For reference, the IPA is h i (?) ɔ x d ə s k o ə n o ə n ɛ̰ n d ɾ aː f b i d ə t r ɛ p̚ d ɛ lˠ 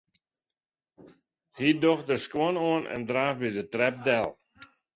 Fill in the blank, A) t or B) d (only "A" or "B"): B